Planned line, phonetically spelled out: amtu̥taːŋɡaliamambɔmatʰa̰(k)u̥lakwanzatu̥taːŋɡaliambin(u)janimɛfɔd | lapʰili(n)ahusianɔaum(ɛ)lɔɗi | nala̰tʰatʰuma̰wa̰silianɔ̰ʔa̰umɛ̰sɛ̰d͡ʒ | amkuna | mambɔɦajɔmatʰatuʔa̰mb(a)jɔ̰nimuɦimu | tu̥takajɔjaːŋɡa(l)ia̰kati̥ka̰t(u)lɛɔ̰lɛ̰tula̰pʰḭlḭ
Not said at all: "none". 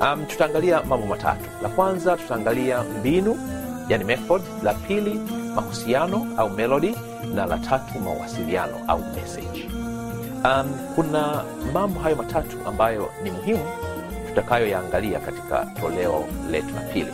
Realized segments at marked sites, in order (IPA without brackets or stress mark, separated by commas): t, u, m, ɛ, a, l, ɔ